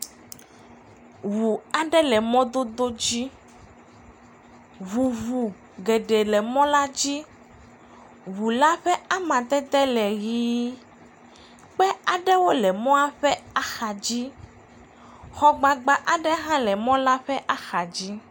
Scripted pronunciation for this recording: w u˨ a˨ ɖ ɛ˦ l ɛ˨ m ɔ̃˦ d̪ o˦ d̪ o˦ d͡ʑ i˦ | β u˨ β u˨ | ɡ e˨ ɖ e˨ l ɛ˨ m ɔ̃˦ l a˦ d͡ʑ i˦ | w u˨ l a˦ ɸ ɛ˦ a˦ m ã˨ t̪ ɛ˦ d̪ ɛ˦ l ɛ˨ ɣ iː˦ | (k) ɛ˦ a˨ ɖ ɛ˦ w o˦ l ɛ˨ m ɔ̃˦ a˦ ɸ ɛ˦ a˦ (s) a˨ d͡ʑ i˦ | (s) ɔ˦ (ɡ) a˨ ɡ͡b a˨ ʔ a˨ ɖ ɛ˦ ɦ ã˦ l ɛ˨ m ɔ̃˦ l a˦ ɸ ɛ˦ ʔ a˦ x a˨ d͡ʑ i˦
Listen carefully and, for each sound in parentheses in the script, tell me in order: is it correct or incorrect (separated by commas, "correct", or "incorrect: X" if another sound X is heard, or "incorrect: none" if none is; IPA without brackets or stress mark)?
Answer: incorrect: k͡p, incorrect: x, incorrect: x, incorrect: ɡ͡b